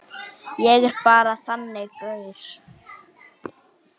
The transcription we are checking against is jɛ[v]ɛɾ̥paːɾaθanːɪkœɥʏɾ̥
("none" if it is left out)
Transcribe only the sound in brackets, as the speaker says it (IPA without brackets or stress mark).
ɣ